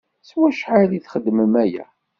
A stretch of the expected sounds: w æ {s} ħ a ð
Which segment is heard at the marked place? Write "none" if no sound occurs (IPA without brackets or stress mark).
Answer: ʃ